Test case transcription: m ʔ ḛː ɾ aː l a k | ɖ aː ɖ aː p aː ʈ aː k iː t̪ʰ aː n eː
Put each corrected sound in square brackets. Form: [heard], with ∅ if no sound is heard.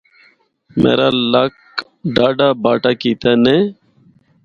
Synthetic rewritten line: m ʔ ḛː ɾ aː l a k | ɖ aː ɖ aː [b] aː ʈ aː k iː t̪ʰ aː n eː